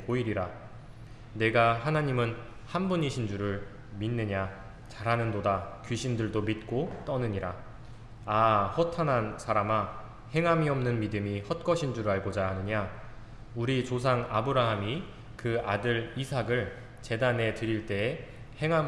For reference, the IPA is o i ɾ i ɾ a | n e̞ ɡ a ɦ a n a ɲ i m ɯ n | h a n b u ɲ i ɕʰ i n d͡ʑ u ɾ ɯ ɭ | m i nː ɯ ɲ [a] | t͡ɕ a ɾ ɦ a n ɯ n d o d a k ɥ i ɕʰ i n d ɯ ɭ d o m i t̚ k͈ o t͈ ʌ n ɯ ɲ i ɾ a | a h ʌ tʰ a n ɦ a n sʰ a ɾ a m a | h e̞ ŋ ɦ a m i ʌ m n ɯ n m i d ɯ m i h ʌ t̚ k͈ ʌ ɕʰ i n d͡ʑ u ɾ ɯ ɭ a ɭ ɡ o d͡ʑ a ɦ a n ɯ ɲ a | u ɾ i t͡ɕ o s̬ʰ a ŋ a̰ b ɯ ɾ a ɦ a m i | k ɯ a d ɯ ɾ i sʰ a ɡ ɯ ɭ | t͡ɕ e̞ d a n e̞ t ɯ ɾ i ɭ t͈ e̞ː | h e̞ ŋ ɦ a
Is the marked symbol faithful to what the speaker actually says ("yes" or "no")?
yes